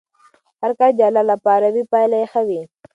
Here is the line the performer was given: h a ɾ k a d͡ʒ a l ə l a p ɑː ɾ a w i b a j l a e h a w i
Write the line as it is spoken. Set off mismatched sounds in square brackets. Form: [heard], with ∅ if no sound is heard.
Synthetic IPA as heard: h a ɾ k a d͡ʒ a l [a] l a p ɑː ɾ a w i [p] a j l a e [x] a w i